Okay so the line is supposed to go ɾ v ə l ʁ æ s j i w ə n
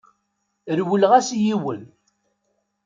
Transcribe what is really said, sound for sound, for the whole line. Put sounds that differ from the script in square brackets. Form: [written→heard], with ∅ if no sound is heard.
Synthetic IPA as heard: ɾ [v→w] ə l ʁ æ s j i w ə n